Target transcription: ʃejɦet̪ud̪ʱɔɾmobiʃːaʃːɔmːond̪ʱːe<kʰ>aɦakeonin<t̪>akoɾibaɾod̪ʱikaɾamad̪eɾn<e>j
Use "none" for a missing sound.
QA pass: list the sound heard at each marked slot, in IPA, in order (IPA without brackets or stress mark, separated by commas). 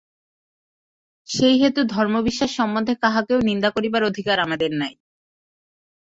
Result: k, d̪, a